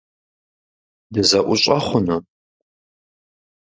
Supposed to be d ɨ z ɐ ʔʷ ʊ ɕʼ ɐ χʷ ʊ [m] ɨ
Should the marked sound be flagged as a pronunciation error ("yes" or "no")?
yes